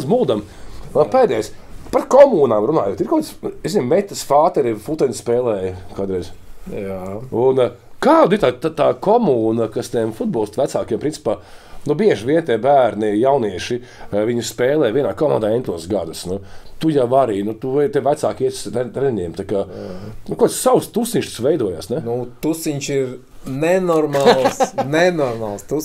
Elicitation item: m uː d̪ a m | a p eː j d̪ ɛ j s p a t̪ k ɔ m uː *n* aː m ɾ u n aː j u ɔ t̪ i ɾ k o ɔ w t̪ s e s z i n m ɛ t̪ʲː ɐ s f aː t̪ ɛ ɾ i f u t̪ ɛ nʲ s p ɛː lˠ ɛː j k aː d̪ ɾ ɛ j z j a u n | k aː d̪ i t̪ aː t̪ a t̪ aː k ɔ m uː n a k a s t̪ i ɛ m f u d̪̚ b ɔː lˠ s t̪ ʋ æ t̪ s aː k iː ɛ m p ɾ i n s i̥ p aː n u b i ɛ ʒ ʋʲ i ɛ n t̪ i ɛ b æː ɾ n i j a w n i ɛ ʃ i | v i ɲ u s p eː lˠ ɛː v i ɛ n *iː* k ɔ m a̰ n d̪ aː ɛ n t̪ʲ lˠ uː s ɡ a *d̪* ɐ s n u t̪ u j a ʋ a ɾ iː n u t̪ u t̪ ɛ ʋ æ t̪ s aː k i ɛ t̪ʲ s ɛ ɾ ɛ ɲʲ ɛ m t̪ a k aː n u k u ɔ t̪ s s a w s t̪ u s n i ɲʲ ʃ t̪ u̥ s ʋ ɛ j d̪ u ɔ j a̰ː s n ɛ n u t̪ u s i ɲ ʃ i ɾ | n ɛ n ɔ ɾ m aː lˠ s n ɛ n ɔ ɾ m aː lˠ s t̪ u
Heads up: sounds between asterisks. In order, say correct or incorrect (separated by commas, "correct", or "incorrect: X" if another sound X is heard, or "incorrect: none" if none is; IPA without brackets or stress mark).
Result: correct, incorrect: aː, correct